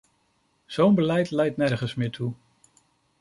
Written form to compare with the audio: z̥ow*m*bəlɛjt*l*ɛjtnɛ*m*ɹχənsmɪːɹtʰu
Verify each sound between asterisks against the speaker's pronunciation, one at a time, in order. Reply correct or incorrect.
incorrect, correct, incorrect

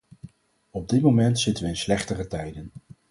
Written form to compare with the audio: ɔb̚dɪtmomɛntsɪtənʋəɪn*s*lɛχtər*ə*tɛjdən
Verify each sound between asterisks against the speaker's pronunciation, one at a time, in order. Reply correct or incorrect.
correct, correct

